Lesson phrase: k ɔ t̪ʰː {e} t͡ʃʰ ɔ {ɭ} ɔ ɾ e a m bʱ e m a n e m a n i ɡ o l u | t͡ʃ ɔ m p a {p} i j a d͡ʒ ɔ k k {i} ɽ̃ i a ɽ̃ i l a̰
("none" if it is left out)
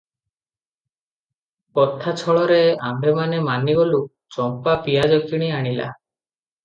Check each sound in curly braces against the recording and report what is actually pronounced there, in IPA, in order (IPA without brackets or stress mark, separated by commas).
a, ɭ, p, i